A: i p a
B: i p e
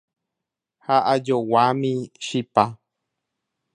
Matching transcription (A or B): A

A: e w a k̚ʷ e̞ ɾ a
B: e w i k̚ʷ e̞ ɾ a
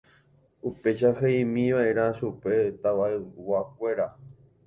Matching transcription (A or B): A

